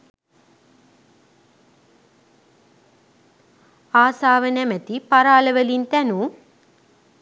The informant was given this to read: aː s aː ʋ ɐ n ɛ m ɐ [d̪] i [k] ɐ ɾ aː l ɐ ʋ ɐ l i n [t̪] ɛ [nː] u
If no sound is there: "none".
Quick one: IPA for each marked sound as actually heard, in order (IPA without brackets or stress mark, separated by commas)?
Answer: t̪, p, t̪, n